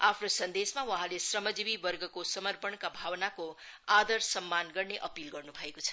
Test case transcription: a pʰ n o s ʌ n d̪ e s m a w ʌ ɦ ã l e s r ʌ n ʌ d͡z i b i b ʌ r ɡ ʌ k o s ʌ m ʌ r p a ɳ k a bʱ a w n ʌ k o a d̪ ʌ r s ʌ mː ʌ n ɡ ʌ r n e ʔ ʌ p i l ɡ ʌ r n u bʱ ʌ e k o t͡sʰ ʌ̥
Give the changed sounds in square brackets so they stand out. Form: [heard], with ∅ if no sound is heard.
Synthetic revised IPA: a pʰ n o s ʌ n d̪ e s m a w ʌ ɦ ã l e s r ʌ [m] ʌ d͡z i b i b ʌ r ɡ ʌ k o s ʌ m ʌ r p [ʌ] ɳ k a bʱ a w n [a] k o a d̪ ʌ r s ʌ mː [a] n ɡ ʌ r n e ʔ ʌ p i l ɡ ʌ r n u bʱ ʌ e k o t͡sʰ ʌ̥